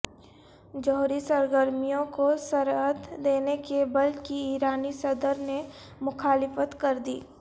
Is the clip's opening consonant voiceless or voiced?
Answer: voiced